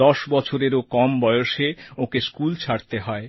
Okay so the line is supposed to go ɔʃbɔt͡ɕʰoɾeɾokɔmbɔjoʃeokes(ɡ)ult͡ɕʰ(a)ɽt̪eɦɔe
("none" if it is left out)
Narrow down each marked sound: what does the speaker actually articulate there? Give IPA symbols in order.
k, a

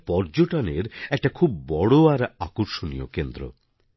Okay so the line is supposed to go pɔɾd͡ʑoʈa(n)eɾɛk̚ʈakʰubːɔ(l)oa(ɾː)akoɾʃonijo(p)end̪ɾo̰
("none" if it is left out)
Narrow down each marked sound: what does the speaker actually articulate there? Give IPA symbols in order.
n, ɽ, ɾ, k

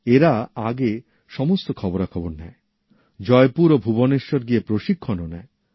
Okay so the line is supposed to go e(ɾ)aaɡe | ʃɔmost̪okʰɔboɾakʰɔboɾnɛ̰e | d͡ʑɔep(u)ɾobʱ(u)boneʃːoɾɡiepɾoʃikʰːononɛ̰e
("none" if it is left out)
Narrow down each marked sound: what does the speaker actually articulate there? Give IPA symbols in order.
ɾ, u, u

